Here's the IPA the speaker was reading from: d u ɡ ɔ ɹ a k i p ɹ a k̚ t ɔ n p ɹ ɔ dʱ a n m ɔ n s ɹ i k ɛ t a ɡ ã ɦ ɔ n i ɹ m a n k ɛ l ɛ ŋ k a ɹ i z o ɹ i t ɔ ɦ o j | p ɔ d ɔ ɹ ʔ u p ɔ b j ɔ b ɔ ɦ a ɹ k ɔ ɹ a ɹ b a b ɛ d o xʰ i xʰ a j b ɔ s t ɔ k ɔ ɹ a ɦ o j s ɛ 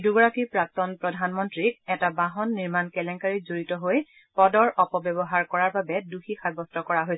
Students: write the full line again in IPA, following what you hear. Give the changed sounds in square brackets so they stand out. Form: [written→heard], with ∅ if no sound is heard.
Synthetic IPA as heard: d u ɡ ɔ ɹ a k i p ɹ a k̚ t ɔ n p ɹ ɔ dʱ a n m ɔ n [s→t] ɹ i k ɛ t a [ɡ→b] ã ɦ ɔ [n→nː] i ɹ m a n k ɛ l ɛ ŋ k a ɹ i z o ɹ i t ɔ ɦ o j | p ɔ d ɔ ɹ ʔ [u→ɔ] p ɔ b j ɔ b ɔ ɦ a ɹ k ɔ ɹ a ɹ b a b ɛ d [o→u] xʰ i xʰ a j b ɔ s t ɔ k ɔ ɹ a ɦ o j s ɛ

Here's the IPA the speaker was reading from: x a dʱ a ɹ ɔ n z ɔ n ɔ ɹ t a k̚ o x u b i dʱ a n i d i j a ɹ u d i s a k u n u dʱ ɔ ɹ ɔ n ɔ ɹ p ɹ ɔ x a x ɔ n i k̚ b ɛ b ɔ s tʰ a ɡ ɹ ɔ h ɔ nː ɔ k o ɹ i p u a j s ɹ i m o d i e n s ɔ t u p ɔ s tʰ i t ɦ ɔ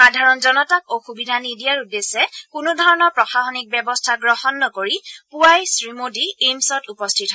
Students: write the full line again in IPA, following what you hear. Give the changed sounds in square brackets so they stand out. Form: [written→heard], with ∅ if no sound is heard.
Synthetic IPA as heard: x a dʱ a ɹ ɔ n z ɔ n ɔ [ɹ→∅] t a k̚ o x u b i dʱ a n i d i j a ɹ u d [i→e] s [a→ɛ] k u n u dʱ ɔ ɹ ɔ n ɔ ɹ p ɹ ɔ x a x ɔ n i k̚ b ɛ b ɔ s tʰ a ɡ ɹ ɔ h ɔ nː ɔ k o ɹ i p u a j s ɹ i m o d i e [n→m] s ɔ t u p ɔ s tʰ i t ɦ ɔ

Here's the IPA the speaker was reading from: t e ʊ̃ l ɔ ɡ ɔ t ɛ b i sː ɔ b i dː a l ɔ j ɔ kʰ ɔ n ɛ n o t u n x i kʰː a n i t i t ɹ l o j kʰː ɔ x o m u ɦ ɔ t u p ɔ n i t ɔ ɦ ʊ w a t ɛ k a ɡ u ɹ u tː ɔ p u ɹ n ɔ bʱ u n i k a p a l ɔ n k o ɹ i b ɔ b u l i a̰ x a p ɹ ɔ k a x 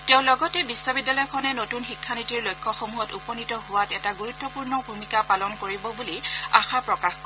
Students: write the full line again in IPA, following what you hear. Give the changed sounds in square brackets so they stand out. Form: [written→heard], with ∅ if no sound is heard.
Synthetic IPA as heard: t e ʊ̃ l ɔ ɡ ɔ t ɛ b i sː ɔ b i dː a l ɔ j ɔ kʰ ɔ n ɛ n o t u n x i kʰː a n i t i [t→∅] ɹ l o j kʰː ɔ x o m u ɦ ɔ t u p ɔ n i t ɔ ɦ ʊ w a t ɛ [k→t] a ɡ u ɹ u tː ɔ p u ɹ n ɔ bʱ u [n→m] i k a p a l ɔ n k o ɹ i b ɔ b u l i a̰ x a p ɹ ɔ k a x

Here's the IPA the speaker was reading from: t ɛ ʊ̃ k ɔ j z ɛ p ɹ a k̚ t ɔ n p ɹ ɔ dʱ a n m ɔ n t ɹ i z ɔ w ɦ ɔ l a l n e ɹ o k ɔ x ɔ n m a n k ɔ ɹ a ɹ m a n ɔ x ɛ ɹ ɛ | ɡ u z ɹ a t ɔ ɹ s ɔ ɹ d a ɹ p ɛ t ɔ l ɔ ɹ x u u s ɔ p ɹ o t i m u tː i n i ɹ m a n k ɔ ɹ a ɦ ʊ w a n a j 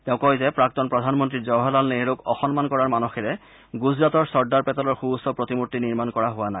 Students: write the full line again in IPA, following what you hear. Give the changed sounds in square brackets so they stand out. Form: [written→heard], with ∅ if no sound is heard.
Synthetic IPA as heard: t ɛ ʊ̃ k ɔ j z ɛ p ɹ a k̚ t ɔ n p ɹ ɔ dʱ a n m ɔ n t ɹ i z ɔ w ɦ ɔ l a l n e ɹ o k ɔ x ɔ n m a n k ɔ ɹ a ɹ m a n ɔ x ɛ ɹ ɛ | ɡ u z ɹ a t ɔ ɹ s ɔ ɹ d a ɹ p ɛ t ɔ l ɔ ɹ x u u s ɔ p ɹ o t i m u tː i n i ɹ m a n k ɔ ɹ a ɦ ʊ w a n a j

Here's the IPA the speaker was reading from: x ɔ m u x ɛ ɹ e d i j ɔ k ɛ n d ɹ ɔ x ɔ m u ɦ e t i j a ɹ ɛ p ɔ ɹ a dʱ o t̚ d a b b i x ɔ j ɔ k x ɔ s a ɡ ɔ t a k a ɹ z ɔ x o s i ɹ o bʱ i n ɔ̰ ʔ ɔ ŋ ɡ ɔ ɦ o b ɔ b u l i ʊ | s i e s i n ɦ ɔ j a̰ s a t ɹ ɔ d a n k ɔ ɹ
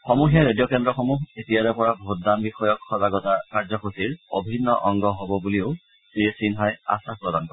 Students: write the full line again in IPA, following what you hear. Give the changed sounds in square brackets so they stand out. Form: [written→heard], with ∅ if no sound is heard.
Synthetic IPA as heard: x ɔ m u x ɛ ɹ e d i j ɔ k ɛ n d ɹ ɔ x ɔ m u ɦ e t i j a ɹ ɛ p ɔ ɹ a [dʱ→bʱ] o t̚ d a [b→m] b i x ɔ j ɔ k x ɔ [s→z] a ɡ ɔ t a k a ɹ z ɔ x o s i ɹ o bʱ i [n→nː] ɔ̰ ʔ ɔ ŋ ɡ ɔ ɦ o b ɔ b u l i ʊ | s i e s i n ɦ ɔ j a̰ s a [t→p] ɹ ɔ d a n k ɔ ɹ

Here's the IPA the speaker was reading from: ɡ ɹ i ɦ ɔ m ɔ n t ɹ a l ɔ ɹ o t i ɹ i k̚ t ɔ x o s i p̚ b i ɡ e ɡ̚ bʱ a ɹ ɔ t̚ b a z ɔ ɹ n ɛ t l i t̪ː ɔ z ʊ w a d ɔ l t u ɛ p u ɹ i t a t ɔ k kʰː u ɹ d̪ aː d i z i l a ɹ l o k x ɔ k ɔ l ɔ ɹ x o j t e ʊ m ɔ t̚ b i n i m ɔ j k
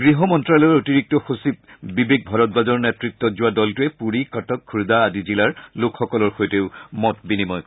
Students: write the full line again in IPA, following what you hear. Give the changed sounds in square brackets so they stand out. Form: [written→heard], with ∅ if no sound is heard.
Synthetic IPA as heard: ɡ ɹ i ɦ ɔ m ɔ n t ɹ a l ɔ ɹ o t i ɹ i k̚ t ɔ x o s i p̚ b i [ɡ→b] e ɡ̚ bʱ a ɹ ɔ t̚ b a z ɔ ɹ n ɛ t [l→ɹ] i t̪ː ɔ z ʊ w a d ɔ l t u ɛ p u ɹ i [t→k] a t ɔ k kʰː u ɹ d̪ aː d i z i l a ɹ l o k x ɔ k ɔ l ɔ ɹ x o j t e ʊ m ɔ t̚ b i n i m ɔ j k

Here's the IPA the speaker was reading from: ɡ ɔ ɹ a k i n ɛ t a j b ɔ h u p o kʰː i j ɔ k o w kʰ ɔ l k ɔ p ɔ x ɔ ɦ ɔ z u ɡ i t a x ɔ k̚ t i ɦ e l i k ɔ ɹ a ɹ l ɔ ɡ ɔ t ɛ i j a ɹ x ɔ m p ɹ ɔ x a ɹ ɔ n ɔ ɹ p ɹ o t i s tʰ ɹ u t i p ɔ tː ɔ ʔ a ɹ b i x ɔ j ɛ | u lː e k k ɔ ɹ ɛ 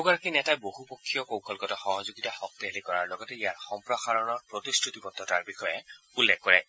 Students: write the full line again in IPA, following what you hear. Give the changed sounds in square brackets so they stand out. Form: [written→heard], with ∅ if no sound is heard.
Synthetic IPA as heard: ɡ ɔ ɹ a k i n ɛ t a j b [ɔ→o] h u p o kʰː i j ɔ k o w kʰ ɔ l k ɔ [p→t] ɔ x ɔ ɦ ɔ z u ɡ i t a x ɔ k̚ t i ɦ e l i k ɔ ɹ a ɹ l ɔ ɡ ɔ t ɛ i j a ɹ x ɔ m p ɹ ɔ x a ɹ ɔ n ɔ ɹ p ɹ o t i s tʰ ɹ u t i p ɔ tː ɔ [ʔ→t] a ɹ b i x ɔ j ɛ | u lː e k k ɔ ɹ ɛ

